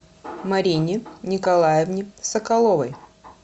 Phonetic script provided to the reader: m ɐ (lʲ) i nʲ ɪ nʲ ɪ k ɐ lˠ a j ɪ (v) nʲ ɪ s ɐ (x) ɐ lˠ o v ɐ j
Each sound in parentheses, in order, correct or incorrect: incorrect: ɾʲ, correct, incorrect: k

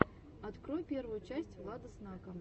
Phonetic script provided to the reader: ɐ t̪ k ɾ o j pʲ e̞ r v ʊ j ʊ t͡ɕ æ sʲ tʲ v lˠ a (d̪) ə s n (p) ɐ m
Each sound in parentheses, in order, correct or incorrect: correct, incorrect: k

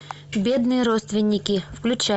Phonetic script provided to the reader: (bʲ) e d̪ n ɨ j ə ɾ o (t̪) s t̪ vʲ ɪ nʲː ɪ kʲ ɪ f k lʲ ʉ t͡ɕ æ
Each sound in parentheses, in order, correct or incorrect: correct, correct

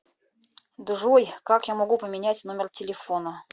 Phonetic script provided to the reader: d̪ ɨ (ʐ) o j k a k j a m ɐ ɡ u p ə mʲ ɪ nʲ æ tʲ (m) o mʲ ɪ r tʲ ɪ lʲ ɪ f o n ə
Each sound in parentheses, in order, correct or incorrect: correct, incorrect: n

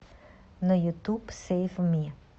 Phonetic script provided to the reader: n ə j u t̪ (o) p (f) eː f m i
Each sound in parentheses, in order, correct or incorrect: incorrect: u, incorrect: s

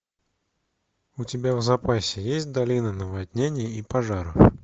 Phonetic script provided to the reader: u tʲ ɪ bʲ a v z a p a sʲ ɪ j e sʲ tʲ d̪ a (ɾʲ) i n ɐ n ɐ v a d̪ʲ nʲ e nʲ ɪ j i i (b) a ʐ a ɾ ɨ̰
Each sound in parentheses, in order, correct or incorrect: incorrect: lʲ, incorrect: p

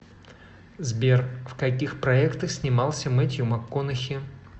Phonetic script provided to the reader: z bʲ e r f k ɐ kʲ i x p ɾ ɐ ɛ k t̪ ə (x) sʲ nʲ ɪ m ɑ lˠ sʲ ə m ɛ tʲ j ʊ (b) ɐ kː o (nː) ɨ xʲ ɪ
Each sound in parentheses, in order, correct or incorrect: correct, incorrect: m, incorrect: n

